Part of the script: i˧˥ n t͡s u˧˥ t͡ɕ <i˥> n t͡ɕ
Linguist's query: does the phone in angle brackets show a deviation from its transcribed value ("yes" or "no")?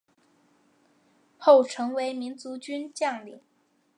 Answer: yes